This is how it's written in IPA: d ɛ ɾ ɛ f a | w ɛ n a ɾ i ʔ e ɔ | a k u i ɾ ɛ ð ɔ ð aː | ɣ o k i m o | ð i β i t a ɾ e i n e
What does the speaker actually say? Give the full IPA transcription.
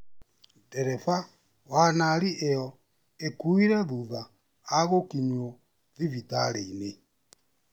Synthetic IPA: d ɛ ɾ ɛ f a | w a n a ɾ i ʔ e ɔ | e k u i ɾ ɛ ð u ð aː | ɣ o k i ɲ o | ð i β i t a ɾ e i n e